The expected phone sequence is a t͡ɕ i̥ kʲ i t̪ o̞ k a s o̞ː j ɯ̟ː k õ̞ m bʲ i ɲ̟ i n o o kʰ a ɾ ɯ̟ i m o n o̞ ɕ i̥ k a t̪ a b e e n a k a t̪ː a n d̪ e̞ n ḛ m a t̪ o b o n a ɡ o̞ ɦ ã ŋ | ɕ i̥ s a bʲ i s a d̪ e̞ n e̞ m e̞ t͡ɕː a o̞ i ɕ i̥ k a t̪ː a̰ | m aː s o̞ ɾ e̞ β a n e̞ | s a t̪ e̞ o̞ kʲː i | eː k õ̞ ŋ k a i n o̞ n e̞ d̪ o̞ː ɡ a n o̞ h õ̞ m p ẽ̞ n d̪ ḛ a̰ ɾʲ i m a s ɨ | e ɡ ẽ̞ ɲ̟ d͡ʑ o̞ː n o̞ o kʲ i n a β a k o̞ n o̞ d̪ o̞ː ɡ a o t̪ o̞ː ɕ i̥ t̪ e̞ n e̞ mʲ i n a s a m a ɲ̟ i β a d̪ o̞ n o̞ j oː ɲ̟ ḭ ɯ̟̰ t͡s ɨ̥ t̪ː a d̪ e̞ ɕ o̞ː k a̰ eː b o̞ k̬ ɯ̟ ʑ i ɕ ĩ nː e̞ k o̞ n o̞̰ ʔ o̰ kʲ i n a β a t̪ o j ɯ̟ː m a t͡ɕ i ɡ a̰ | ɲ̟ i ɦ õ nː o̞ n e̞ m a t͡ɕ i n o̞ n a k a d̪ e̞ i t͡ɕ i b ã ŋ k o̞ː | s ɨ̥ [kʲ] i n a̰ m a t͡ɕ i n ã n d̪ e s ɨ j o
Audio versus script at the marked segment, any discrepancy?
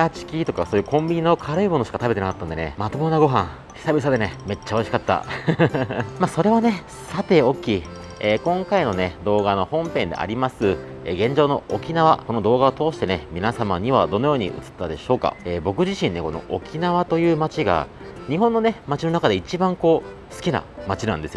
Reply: no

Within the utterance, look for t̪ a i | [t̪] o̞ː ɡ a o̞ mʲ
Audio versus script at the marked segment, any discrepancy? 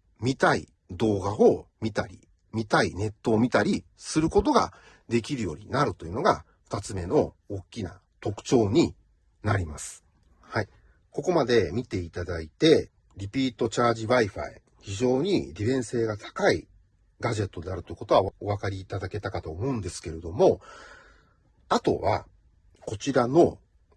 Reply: yes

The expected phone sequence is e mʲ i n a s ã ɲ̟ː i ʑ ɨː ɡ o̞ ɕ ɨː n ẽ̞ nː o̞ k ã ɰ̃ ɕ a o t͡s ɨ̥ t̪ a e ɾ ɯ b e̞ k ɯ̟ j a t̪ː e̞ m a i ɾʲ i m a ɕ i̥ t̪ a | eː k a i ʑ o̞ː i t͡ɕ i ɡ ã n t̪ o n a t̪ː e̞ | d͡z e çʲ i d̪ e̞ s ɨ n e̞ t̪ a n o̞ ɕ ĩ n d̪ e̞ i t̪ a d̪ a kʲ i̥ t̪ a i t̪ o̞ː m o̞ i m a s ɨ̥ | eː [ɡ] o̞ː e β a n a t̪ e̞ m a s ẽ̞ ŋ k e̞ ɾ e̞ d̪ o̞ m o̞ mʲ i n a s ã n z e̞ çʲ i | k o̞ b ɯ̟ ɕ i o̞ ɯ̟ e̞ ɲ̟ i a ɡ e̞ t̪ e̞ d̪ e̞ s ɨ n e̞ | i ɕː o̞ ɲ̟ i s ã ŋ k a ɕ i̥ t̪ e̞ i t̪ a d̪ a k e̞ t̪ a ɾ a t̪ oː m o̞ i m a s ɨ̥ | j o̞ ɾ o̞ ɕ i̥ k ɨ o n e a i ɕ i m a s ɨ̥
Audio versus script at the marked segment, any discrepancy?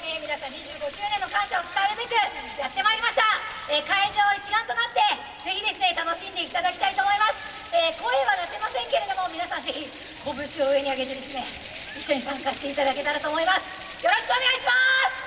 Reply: yes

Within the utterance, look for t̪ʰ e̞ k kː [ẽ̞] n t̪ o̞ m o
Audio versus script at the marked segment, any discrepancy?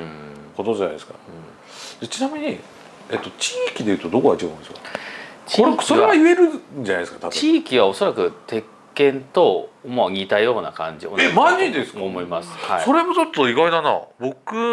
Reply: no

